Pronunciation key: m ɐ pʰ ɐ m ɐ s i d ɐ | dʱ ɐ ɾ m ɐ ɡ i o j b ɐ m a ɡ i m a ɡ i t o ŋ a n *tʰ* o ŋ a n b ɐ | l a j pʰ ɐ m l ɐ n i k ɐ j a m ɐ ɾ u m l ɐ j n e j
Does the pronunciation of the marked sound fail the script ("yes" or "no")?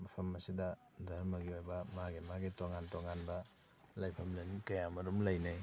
yes